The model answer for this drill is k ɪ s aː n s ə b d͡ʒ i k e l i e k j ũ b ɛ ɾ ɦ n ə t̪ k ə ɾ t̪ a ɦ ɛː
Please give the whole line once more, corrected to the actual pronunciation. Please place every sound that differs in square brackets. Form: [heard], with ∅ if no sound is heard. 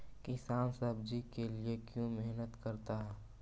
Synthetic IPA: k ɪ s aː n s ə b d͡ʒ i k e l i e k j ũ [m] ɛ [∅] ɦ n ə t̪ k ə ɾ t̪ a ɦ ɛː

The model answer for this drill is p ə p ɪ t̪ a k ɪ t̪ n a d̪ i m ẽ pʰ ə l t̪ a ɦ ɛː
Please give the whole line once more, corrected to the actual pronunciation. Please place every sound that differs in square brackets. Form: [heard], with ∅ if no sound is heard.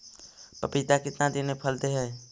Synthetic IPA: p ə p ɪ t̪ a k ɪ t̪ n a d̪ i [n] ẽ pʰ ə l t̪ [e] ɦ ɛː

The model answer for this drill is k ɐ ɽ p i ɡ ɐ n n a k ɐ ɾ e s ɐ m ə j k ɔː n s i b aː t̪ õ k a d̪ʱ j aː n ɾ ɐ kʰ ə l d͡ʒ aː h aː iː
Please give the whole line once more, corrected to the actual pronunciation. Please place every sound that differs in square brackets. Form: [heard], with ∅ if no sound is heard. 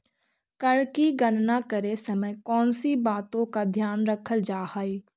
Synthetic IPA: k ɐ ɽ [k] i ɡ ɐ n n a k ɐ ɾ e s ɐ m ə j k ɔː n s i b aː t̪ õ k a d̪ʱ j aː n ɾ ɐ kʰ ə l d͡ʒ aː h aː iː

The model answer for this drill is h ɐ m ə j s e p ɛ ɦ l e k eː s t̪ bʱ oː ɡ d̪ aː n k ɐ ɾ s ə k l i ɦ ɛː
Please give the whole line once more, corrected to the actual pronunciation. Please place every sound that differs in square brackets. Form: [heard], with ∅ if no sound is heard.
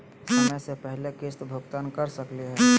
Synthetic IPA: [s] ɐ m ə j s e p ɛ ɦ l e k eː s t̪ bʱ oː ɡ [t̪] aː n k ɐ ɾ s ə k l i ɦ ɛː

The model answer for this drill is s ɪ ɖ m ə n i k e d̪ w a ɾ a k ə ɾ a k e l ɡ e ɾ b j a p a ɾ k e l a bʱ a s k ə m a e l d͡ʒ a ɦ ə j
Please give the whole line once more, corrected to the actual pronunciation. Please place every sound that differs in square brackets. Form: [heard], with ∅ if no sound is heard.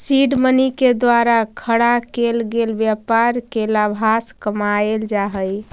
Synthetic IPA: s [i] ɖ m ə n i k e d̪ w a ɾ a [kʰ] ə [ɽ] a k e l ɡ e [l] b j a p a ɾ k e l a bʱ a s k ə m a e l d͡ʒ a ɦ ə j

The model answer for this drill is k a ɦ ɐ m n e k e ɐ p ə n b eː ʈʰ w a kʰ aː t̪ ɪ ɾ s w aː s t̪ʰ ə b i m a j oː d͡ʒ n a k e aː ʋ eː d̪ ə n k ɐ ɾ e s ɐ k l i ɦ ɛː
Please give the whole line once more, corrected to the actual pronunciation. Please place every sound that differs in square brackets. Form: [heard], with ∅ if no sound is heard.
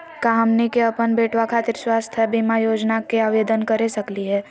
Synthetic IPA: k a ɦ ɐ m n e k e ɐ p ə n b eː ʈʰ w a kʰ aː t̪ ɪ ɾ s w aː s t̪ʰ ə b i m a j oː d͡ʒ n a k e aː ʋ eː d̪ ə n k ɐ ɾ e s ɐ k l i ɦ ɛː

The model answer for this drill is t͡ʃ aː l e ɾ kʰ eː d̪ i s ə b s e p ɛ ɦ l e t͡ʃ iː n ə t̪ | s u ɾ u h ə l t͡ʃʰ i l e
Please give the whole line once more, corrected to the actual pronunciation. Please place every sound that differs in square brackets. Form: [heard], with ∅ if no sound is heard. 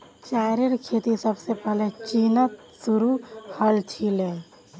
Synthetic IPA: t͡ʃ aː [ɾ] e ɾ kʰ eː [t̪] i s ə b s e p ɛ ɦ l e t͡ʃ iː n ə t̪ | s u ɾ u h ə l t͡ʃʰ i l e

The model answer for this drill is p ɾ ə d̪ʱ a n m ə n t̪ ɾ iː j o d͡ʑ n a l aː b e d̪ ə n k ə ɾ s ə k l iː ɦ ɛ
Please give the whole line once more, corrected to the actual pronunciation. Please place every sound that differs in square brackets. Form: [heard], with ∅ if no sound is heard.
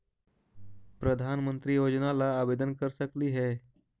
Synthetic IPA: p ɾ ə d̪ʱ a n m ə n t̪ ɾ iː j o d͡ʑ n a l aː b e d̪ ə n k ə ɾ s ə k l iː ɦ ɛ

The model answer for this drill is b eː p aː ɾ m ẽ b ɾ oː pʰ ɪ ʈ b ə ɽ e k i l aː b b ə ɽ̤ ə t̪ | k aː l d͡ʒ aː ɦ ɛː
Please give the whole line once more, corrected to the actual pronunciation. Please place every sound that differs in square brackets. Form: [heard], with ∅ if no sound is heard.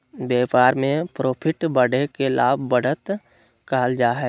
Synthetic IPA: b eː p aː ɾ m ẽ [p] ɾ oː pʰ ɪ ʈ b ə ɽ e k [e] l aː b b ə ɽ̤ ə t̪ | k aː l d͡ʒ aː ɦ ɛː

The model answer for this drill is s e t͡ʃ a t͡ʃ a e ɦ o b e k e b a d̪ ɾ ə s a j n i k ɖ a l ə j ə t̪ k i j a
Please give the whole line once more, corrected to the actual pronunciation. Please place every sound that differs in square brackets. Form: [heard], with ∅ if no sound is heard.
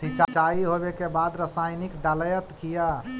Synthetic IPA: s [i] t͡ʃ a t͡ʃ a [i] ɦ o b e k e b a d̪ ɾ ə s a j n i k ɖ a l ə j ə t̪ k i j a

